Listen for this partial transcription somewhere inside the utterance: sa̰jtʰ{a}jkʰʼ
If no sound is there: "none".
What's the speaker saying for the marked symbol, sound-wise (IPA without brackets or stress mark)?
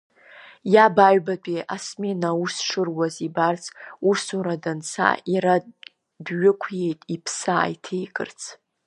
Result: e